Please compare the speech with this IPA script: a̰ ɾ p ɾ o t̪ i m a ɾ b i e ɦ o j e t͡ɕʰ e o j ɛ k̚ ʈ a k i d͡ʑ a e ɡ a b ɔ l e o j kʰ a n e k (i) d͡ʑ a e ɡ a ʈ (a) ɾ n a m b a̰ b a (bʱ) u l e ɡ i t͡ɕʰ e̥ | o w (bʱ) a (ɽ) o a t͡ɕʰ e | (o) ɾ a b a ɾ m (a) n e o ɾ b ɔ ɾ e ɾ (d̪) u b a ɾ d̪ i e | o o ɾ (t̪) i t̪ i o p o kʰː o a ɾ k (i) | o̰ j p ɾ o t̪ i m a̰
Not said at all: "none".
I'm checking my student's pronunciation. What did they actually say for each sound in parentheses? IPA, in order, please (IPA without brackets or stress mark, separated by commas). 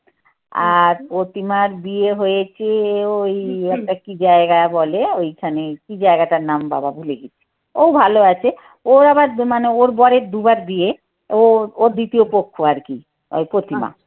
i, a, bʱ, bʱ, l, o, a, d̪, d̪, i